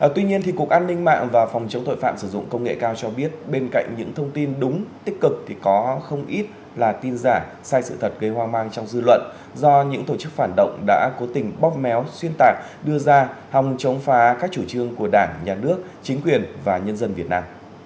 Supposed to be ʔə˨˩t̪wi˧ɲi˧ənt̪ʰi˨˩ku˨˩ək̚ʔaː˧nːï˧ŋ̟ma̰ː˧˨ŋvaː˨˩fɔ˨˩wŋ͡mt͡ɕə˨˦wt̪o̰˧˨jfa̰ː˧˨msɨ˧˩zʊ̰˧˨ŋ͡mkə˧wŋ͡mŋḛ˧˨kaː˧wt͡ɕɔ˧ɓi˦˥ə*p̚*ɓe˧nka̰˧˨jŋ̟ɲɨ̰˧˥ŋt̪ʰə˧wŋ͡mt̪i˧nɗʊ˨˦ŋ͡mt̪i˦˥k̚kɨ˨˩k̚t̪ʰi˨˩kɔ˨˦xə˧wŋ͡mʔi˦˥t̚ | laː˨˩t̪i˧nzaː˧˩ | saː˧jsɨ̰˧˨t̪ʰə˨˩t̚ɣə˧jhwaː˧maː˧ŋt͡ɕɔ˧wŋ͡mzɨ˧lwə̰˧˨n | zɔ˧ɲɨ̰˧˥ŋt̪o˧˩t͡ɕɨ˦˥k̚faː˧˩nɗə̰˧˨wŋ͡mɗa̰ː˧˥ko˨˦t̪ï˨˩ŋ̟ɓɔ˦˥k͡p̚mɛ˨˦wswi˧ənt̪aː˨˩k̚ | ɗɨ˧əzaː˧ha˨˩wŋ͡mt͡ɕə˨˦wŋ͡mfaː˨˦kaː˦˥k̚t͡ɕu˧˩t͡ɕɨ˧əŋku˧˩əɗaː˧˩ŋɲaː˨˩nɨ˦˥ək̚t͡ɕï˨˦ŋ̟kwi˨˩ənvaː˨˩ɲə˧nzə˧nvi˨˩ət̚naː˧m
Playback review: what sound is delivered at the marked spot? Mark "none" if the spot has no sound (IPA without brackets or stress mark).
t̚